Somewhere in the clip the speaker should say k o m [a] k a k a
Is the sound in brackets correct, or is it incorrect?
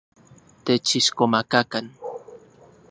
correct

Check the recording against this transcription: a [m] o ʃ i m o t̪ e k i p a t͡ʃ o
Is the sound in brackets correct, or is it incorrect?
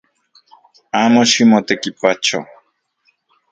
correct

